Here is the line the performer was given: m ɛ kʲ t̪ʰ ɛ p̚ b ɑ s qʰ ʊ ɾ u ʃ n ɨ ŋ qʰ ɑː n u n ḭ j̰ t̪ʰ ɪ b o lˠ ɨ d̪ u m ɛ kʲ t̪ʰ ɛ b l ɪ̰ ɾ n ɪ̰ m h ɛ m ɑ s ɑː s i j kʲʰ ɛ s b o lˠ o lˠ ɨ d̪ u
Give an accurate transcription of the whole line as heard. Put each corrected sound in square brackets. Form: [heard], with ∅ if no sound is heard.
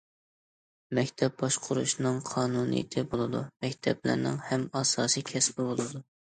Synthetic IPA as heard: m ɛ kʲ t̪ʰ ɛ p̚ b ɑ [ʃ] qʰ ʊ ɾ u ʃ n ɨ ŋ qʰ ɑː n u n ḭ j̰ t̪ʰ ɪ b o lˠ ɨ d̪ u m ɛ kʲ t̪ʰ ɛ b l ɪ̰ ɾ n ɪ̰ [ŋ] h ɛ m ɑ s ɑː s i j kʲʰ ɛ s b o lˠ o lˠ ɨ d̪ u